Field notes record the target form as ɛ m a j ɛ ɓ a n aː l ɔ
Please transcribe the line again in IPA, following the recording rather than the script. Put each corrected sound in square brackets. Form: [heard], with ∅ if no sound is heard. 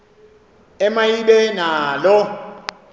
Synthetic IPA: ɛ m a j [i] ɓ [ɛ] n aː l ɔ